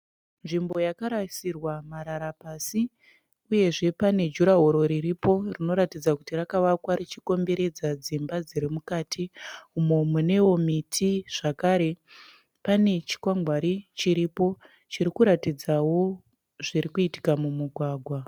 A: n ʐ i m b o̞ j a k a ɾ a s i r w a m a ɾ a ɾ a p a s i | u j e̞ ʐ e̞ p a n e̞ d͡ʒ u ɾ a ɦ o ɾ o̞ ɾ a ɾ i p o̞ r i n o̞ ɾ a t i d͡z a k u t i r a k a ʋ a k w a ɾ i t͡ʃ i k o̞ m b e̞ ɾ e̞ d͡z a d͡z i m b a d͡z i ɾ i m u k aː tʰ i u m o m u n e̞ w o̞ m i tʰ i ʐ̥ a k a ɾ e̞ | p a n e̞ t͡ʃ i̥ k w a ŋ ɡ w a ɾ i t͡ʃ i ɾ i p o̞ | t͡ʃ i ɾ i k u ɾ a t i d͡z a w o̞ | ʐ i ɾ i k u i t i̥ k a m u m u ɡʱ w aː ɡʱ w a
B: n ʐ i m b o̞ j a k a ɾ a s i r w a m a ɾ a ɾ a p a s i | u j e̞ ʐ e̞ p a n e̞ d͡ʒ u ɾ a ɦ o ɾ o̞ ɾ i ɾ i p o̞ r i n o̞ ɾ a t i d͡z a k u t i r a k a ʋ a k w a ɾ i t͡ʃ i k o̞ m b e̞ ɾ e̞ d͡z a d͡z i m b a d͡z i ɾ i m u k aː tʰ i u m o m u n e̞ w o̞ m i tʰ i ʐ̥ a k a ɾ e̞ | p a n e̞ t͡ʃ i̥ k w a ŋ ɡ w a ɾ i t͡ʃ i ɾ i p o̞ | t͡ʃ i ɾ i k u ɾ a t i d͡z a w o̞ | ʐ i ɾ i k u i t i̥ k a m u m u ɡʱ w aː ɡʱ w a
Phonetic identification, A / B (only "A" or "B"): B